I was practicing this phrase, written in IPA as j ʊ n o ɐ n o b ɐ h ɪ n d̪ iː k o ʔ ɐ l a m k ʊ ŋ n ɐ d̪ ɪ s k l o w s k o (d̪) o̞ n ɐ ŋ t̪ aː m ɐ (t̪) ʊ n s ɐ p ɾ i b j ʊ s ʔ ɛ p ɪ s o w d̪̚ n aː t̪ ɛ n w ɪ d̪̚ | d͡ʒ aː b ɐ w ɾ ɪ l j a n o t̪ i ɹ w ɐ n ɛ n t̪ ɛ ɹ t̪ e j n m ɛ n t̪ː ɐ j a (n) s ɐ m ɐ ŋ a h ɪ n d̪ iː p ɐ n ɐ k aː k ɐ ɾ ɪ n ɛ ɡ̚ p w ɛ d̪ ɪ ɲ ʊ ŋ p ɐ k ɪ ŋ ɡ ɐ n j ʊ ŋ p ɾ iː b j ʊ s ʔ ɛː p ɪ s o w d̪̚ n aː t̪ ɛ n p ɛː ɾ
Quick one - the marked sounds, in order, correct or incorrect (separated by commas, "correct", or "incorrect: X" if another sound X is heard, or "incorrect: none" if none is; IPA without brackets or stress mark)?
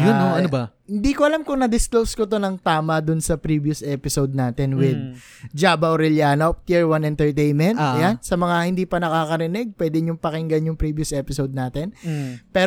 incorrect: t̪, incorrect: d̪, correct